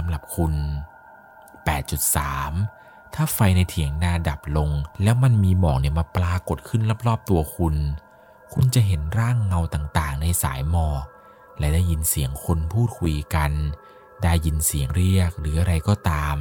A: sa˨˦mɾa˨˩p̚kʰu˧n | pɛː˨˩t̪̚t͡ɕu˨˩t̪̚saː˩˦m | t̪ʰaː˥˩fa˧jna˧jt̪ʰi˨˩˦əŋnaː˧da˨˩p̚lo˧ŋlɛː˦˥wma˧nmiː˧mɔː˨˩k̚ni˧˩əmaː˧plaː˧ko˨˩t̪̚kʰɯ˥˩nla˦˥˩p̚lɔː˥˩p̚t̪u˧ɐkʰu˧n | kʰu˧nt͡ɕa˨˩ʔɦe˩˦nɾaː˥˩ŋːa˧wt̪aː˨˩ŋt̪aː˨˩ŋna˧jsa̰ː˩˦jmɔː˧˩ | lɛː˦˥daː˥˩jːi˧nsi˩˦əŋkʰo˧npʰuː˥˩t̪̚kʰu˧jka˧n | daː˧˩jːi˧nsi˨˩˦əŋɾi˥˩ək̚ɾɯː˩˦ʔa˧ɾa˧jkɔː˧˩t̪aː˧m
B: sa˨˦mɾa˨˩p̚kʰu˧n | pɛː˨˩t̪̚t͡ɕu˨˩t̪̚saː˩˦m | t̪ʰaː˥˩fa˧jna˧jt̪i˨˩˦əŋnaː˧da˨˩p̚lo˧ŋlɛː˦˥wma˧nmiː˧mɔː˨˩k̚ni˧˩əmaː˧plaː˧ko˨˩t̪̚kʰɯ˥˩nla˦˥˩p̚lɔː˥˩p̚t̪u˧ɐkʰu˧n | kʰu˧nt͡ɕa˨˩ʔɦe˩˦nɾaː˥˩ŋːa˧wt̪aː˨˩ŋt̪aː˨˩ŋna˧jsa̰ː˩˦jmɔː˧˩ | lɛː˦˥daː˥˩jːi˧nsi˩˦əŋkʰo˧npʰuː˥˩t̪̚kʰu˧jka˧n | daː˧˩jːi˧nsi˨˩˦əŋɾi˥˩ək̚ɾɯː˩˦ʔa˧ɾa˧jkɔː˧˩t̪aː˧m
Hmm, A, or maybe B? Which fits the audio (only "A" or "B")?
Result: A